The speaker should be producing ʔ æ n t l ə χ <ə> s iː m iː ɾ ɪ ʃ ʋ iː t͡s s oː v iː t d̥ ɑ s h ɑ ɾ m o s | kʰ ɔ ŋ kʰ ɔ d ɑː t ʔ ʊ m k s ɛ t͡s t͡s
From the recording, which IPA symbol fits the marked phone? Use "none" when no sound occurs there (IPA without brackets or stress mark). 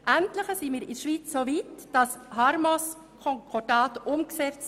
ə